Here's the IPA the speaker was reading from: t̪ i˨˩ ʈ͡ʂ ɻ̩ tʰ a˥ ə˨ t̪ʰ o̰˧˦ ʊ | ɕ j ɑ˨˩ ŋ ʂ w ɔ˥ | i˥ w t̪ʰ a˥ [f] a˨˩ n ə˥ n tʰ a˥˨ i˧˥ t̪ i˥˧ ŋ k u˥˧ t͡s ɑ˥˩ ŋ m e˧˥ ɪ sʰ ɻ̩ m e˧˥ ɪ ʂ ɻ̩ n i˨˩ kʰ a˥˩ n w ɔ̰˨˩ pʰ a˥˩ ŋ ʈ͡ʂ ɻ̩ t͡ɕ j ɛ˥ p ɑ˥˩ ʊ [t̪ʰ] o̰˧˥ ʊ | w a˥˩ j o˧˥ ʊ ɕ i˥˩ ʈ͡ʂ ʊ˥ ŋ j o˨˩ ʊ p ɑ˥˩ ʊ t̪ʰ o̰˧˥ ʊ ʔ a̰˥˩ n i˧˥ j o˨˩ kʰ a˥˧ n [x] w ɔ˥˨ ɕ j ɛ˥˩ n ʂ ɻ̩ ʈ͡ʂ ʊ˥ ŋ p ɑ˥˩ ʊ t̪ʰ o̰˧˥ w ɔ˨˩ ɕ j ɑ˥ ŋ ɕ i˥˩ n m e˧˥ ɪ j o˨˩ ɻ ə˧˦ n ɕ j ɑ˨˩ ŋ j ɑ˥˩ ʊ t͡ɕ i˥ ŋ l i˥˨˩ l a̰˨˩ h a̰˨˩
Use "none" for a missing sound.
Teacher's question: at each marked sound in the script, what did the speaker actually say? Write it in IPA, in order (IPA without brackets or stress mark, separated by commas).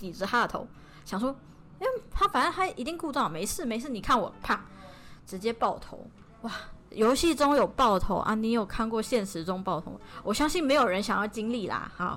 f, t̪ʰ, k